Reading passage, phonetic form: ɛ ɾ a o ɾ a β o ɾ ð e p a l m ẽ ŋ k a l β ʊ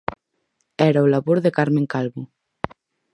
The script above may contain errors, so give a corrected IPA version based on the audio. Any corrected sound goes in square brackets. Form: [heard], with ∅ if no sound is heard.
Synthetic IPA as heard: ɛ ɾ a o [l] a β o ɾ ð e [k] a [ɾ] m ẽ ŋ k a l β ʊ

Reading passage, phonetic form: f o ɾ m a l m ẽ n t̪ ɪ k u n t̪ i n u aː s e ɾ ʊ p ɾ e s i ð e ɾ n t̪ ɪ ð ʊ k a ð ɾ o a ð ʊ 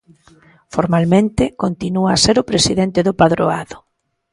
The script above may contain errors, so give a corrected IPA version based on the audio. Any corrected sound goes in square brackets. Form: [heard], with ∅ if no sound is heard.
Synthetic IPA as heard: f o ɾ m a l m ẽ n t̪ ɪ k [o] n t̪ i n u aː s e ɾ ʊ p ɾ e s i ð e [∅] n t̪ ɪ ð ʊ [p] a ð ɾ o a ð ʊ

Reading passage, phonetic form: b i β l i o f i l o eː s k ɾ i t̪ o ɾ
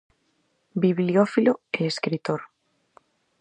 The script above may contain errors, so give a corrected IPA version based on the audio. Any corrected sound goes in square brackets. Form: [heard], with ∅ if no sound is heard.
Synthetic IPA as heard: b i β l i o f i l o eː s k ɾ i t̪ o ɾ

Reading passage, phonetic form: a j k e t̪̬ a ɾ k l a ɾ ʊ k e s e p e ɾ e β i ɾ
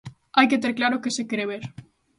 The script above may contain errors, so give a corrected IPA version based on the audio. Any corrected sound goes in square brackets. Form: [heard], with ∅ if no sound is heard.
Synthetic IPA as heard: a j k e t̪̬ [e] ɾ k l a ɾ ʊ k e s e [k] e ɾ e β [e] ɾ

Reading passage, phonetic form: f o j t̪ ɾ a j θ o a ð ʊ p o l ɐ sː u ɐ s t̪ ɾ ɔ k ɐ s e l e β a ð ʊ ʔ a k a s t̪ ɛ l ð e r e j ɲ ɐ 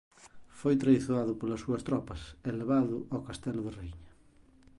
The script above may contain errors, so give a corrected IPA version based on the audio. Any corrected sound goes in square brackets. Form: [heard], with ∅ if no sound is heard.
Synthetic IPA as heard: f o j t̪ ɾ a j θ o a ð ʊ p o l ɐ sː u ɐ s t̪ ɾ ɔ [p] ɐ s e l e β a ð ʊ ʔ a k a s t̪ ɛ l ð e r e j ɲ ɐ

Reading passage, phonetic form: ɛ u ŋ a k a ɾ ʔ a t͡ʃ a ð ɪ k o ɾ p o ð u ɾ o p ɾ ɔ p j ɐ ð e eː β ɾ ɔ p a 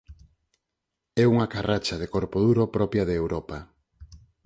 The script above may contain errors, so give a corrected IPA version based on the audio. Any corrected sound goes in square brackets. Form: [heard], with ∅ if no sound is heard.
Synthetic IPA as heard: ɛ u ŋ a k a [r] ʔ a t͡ʃ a ð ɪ k o ɾ p o ð u ɾ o p ɾ ɔ p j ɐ ð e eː [w] ɾ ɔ p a

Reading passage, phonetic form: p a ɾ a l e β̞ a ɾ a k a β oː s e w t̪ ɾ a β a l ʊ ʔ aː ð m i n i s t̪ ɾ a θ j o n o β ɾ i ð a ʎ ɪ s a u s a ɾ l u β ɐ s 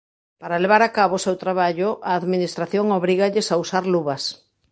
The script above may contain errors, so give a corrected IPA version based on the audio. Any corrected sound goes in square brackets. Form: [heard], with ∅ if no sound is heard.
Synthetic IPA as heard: p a ɾ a l e β̞ a ɾ a k a β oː s e w t̪ ɾ a β a [ʎ] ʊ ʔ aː ð m i n i s t̪ ɾ a θ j o [ŋ] o β ɾ i [ɣ] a ʎ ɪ s a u s a ɾ l u β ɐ s

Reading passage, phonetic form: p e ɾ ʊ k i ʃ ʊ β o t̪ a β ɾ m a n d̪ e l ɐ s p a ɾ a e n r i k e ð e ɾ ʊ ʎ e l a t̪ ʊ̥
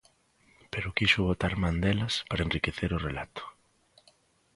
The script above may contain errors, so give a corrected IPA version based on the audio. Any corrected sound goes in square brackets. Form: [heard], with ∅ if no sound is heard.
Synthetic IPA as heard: p e ɾ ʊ k i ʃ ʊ β o t̪ a [∅] ɾ m a n d̪ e l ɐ s p a ɾ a e n r i k e [θ] e ɾ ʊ [r] e l a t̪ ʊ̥

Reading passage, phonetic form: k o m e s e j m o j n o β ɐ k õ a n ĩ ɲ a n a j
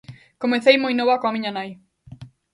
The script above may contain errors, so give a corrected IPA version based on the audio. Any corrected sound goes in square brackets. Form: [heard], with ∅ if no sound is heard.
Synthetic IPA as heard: k o m e [θ] e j m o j n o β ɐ k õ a [m] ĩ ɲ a n a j

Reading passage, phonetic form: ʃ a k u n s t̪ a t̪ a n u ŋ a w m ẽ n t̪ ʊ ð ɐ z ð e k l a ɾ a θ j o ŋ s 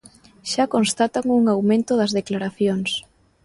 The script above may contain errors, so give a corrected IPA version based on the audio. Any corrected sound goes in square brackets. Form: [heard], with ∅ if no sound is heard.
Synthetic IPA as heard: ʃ a k [o] n s t̪ a t̪ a [ŋ] u ŋ a w m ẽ n t̪ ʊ ð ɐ z ð e k l a ɾ a θ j o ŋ s

